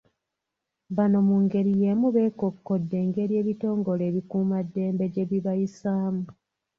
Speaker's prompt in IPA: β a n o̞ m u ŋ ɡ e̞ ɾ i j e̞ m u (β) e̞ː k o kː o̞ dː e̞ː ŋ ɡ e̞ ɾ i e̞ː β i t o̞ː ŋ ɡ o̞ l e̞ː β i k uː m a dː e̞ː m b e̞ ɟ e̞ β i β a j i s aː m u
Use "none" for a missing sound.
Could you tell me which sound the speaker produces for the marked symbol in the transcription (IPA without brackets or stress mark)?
β